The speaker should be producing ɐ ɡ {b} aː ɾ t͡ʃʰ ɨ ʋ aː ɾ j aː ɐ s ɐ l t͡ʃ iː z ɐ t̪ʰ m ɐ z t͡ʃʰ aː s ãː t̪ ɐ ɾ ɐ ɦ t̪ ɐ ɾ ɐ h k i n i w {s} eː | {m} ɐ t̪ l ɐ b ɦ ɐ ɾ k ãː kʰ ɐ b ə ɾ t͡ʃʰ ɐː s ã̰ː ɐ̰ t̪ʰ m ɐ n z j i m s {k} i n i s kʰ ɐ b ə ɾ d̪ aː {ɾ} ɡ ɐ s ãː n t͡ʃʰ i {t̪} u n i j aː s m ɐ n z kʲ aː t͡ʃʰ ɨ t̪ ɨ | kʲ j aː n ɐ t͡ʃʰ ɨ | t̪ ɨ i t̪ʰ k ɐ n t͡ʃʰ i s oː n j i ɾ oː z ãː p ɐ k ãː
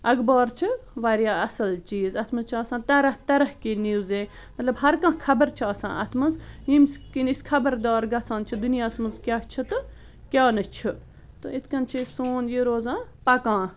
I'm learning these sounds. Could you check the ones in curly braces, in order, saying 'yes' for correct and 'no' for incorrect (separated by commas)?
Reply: yes, no, yes, yes, yes, no